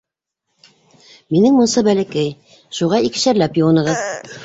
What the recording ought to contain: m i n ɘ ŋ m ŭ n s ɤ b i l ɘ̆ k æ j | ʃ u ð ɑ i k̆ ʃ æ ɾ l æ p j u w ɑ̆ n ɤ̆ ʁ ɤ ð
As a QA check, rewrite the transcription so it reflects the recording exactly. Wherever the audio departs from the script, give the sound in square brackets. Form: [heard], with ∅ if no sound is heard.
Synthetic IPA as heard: m i n ɘ ŋ m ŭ n s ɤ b [æ] l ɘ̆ k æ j | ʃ u [ʁ] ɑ i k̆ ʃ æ ɾ l æ p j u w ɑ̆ n ɤ̆ ʁ ɤ ð

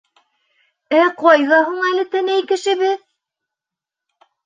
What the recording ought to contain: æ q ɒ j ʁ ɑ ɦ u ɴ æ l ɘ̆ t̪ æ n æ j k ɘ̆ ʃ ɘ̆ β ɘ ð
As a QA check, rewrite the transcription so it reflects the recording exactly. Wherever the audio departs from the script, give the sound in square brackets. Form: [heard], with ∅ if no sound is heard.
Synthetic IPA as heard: æ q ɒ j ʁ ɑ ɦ u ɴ æ l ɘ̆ t̪ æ n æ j k ɘ̆ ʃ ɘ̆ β ɘ ð

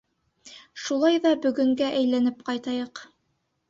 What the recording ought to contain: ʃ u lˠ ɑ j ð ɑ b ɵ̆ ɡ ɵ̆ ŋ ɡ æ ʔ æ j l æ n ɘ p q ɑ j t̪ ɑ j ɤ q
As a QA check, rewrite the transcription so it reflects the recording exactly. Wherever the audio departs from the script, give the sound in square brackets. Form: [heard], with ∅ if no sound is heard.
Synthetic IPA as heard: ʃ u lˠ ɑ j ð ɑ b ɵ̆ ɡ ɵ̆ ŋ ɡ æ ʔ æ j l æ n ɘ p q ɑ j t̪ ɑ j ɤ q

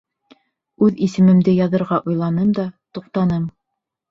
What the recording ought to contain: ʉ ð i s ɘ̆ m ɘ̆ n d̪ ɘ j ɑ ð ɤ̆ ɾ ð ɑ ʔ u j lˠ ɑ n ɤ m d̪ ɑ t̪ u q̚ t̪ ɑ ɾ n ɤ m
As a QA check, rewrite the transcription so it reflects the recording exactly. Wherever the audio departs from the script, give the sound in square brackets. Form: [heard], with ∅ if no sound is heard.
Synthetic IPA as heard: ʉ ð i s ɘ̆ m ɘ̆ [m] d̪ ɘ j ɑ ð ɤ̆ ɾ [ʁ] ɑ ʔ u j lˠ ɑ n ɤ m d̪ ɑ t̪ u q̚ t̪ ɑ [∅] n ɤ m

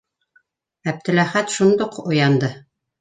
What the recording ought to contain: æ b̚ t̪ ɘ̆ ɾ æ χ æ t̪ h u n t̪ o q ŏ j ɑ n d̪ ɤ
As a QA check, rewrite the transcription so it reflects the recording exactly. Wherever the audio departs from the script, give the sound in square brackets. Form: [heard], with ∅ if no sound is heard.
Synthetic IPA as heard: æ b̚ t̪ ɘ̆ [l] æ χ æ t̪ [ʃ] u n [d̪] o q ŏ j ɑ n d̪ ɤ

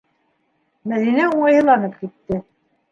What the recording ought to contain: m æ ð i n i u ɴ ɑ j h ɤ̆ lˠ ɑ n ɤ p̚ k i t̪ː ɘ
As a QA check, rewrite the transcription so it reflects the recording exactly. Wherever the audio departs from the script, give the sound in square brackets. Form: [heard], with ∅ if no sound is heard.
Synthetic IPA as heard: m æ ð i n [æ] u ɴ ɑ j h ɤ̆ lˠ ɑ n ɤ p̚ k i t̪ː ɘ

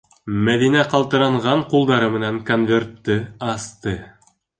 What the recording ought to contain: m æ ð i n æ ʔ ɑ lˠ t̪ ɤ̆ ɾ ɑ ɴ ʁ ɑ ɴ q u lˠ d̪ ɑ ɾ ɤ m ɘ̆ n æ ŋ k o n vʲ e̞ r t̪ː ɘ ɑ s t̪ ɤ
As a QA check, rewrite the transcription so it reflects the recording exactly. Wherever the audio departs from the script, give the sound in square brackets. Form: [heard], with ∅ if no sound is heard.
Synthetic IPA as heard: m æ ð i n æ [q] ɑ lˠ t̪ ɤ̆ ɾ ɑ ɴ ʁ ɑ ɴ q u lˠ d̪ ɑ ɾ ɤ m ɘ̆ n æ ŋ k o n vʲ e̞ r t̪ː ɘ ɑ s t̪ ɤ

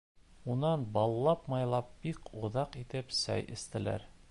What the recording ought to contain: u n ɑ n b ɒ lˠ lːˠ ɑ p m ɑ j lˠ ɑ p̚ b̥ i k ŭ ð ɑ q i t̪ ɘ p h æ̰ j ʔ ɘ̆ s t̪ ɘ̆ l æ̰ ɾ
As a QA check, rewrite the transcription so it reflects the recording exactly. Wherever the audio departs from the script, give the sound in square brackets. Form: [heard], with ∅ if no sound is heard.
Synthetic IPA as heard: u n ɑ n b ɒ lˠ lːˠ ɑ p m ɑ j lˠ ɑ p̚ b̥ i k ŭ ð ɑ q i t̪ ɘ p [s] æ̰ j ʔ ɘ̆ s t̪ ɘ̆ l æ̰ ɾ

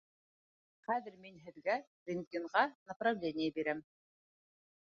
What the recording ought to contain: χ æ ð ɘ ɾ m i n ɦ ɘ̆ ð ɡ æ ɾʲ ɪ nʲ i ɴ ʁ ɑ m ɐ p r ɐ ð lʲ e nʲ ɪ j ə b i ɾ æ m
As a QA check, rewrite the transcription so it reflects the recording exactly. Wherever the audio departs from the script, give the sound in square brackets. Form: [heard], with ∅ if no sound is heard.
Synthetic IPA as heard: χ æ ð ɘ ɾ m i n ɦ ɘ̆ ð ɡ æ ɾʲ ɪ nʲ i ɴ ʁ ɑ [n] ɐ p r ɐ [v] lʲ e nʲ ɪ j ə b i ɾ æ m

